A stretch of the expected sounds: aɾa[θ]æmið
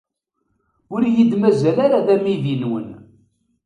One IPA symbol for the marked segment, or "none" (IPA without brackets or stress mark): ð